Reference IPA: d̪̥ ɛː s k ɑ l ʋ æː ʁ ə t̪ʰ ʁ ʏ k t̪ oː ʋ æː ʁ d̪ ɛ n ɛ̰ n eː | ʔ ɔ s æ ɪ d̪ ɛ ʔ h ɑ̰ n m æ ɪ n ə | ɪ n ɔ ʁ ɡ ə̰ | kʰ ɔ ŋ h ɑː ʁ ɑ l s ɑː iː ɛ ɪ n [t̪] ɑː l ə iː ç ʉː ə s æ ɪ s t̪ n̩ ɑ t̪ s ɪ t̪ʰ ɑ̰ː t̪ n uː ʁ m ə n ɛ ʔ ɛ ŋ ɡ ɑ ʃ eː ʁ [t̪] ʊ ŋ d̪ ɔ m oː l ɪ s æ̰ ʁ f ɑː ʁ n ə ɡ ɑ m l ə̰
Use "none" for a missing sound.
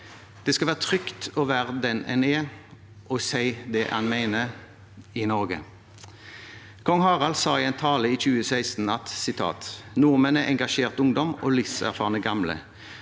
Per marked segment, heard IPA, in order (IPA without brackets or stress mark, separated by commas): t̪ʰ, t̪